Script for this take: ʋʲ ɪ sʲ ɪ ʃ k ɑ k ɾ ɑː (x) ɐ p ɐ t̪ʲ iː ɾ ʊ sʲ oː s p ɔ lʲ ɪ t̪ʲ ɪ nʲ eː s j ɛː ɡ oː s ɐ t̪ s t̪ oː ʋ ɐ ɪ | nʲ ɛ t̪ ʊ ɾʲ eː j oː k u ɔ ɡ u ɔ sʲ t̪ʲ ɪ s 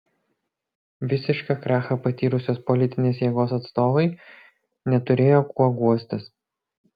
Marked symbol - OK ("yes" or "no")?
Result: yes